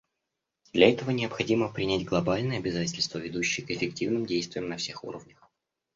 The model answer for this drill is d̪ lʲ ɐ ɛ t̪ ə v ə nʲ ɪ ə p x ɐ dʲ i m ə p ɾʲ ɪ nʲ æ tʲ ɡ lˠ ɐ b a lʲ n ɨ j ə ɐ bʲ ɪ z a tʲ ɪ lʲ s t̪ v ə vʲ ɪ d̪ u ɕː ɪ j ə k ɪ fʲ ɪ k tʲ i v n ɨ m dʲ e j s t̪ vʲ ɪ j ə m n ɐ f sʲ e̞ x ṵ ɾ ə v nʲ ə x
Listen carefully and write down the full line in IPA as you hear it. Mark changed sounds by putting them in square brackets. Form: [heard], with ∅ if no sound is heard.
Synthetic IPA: d̪ lʲ ɐ ɛ t̪ ə v ə nʲ ɪ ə p x ɐ dʲ i m ə p ɾʲ ɪ nʲ æ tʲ ɡ lˠ ɐ b a lʲ n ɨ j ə ɐ bʲ ɪ z a tʲ ɪ lʲ s t̪ v ə vʲ ɪ d̪ u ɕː ɪ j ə k ɪ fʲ ɪ k tʲ i v n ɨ m dʲ e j s t̪ vʲ ɪ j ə m n ɐ f sʲ e̞ x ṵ ɾ ə v nʲ ə x